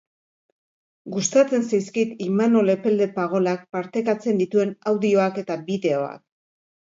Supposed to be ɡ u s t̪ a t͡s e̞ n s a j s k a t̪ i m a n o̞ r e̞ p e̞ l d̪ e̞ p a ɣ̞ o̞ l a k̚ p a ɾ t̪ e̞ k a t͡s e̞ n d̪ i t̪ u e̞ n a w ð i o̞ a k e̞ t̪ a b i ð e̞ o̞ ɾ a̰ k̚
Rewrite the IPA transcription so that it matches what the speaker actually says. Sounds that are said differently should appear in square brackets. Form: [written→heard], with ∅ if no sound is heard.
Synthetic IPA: ɡ u s t̪ a t͡s e̞ n s a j s k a t̪ i m a n o̞ [r→l] e̞ p e̞ l d̪ e̞ p a ɣ̞ o̞ l a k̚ p a ɾ t̪ e̞ k a t͡s e̞ n d̪ i t̪ u e̞ n a w ð i o̞ a k e̞ t̪ a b i ð e̞ o̞ [ɾ→∅] a̰ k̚